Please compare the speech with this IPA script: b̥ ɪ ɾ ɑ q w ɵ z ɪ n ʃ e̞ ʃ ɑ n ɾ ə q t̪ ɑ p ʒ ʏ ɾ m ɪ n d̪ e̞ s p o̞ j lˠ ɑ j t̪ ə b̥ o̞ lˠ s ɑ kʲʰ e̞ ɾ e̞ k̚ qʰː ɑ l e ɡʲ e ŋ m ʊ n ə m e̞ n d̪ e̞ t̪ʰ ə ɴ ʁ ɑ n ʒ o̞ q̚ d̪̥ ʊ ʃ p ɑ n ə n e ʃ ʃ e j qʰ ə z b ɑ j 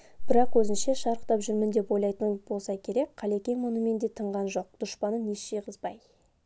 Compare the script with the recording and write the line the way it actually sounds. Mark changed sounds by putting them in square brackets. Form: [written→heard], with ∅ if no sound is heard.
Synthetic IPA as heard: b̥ ɪ ɾ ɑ q w ɵ z ɪ n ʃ e̞ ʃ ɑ [n→∅] ɾ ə q t̪ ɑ p ʒ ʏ ɾ m ɪ n d̪ e̞ [s→∅] p o̞ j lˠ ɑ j t̪ ə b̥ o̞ lˠ s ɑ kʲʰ e̞ ɾ e̞ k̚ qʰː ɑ l e [ɡʲ→kʲ] e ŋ m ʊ n ə m e̞ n d̪ e̞ t̪ʰ ə ɴ ʁ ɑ n ʒ o̞ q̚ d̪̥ ʊ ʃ p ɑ n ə n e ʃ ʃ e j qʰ ə z b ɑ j